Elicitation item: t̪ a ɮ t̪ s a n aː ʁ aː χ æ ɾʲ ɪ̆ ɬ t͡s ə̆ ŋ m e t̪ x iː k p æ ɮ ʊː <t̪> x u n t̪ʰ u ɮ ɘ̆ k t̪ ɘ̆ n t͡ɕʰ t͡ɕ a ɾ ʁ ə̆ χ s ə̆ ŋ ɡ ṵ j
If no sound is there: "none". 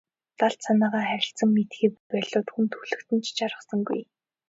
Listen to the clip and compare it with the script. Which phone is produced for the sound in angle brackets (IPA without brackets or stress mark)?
t̪